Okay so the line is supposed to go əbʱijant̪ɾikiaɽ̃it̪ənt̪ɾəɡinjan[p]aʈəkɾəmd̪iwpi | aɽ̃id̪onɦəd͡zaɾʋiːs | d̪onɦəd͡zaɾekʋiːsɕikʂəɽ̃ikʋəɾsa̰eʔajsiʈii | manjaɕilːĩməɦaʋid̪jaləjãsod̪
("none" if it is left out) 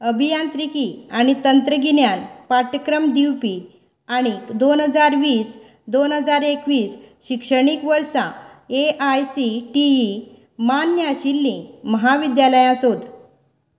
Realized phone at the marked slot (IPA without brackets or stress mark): p